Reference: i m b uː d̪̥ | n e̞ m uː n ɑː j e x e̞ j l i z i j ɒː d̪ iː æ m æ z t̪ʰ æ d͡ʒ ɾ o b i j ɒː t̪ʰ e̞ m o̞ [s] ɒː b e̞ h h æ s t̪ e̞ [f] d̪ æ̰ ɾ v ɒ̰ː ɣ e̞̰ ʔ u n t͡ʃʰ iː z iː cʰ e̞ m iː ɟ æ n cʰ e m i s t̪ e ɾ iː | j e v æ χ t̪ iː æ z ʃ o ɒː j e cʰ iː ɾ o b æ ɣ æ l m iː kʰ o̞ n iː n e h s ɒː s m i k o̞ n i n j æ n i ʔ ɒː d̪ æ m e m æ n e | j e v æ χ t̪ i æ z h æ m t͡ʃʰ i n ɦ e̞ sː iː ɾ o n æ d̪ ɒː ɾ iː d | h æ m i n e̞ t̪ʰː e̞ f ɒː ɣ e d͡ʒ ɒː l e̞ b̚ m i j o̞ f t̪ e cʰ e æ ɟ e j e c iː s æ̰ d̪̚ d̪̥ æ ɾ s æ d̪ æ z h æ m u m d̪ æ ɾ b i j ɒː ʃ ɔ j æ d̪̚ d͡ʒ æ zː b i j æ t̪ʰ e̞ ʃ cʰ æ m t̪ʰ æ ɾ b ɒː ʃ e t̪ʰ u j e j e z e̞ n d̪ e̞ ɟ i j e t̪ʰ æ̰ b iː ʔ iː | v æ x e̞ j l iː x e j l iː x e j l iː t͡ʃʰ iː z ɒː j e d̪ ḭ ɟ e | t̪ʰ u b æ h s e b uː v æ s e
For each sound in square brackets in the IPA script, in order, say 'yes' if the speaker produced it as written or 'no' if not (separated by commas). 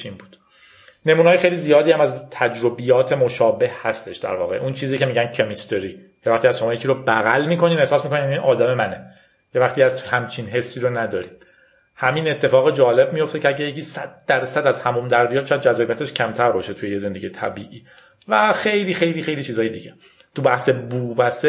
no, no